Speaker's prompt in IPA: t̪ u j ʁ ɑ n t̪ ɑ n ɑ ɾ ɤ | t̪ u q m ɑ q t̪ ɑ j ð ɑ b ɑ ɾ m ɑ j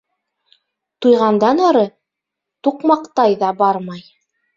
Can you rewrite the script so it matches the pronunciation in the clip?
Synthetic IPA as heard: t̪ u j ʁ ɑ n d̪ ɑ n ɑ ɾ ɤ | t̪ u q m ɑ q t̪ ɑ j ð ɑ b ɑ ɾ m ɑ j